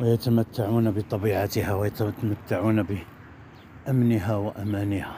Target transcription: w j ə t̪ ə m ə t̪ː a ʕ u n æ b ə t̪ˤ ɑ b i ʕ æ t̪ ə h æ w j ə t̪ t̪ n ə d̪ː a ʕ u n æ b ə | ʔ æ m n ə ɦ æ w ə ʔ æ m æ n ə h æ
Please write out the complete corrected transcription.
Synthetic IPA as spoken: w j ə t̪ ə m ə t̪ː a ʕ u n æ b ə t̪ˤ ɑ b i ʕ a t̪ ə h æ w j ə t̪ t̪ m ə t̪ː a ʕ u n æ b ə | ʔ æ m n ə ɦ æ w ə ʔ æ m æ n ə h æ